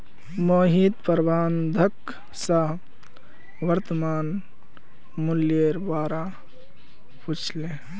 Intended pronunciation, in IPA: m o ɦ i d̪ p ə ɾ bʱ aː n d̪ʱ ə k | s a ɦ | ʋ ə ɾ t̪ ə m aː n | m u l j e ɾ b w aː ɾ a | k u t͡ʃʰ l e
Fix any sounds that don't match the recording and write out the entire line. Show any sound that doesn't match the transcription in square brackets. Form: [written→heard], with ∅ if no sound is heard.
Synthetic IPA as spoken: m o ɦ i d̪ p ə ɾ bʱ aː n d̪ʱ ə k | s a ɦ | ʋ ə ɾ t̪ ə m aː n | m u l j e ɾ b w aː ɾ a | [k→p] u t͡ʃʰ l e